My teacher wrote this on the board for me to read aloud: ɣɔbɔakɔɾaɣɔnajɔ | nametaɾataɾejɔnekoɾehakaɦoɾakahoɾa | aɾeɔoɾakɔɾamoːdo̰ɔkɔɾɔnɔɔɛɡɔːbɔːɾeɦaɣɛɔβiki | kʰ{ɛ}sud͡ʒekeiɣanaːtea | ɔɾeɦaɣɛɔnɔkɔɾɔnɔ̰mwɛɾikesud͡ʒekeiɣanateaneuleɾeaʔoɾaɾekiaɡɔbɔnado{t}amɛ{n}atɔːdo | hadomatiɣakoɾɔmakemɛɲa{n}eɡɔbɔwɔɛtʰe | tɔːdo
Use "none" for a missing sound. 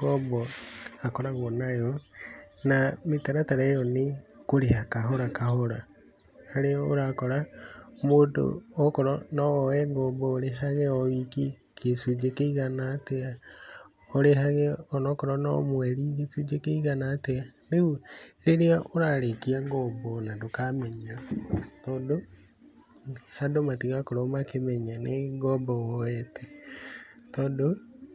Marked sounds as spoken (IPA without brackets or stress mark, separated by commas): e, k, ɲ, n